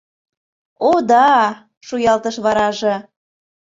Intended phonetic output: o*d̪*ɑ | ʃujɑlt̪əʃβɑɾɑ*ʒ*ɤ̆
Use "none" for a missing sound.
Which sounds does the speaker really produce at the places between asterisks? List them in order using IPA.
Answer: d̪, ʒ

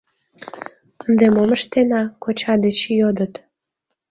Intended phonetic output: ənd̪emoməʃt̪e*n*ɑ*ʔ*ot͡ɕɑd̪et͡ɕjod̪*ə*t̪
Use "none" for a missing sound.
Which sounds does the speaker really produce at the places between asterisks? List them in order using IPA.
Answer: n, k, ə

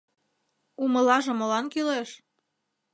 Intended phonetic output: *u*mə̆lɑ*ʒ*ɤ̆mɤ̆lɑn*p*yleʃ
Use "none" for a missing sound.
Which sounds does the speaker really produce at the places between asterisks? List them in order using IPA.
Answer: u, ʒ, k

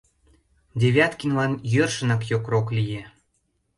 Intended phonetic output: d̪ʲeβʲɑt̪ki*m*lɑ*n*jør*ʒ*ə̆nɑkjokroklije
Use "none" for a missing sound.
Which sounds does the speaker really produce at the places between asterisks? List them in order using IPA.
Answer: n, n, ʃ

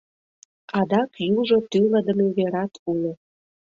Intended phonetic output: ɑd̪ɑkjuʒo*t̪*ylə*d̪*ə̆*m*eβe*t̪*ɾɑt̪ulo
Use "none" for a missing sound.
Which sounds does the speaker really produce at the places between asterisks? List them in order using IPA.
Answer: t̪, d̪, m, none

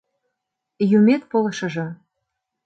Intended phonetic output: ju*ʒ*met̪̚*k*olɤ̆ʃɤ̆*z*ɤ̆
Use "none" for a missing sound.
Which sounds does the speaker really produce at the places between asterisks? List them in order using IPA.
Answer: none, p, ʒ

